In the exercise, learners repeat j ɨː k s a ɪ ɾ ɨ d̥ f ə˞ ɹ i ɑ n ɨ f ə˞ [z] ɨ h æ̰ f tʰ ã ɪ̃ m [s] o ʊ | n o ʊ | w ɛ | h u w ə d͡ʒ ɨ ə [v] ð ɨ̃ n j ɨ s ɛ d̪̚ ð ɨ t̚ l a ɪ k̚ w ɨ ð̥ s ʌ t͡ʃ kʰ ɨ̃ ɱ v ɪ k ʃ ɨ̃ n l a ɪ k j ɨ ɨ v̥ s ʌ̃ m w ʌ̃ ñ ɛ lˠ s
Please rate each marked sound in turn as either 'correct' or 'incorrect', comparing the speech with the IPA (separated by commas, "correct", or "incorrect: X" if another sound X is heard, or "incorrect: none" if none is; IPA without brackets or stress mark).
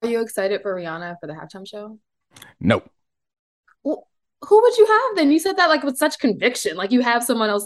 incorrect: ð, incorrect: ʃ, correct